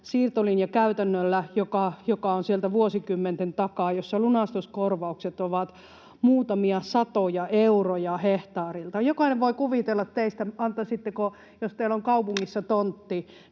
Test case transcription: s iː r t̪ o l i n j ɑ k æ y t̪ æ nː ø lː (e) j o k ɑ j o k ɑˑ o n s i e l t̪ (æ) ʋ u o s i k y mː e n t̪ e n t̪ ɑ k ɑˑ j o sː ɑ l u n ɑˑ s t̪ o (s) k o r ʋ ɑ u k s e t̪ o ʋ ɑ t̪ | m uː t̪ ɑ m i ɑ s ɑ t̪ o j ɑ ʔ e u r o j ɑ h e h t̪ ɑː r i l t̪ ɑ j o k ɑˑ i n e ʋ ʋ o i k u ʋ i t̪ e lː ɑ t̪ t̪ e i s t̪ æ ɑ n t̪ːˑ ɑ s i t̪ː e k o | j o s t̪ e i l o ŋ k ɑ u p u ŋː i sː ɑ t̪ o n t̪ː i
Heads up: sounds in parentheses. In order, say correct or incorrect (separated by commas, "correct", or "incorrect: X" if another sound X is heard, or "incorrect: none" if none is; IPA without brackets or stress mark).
incorrect: æ, correct, correct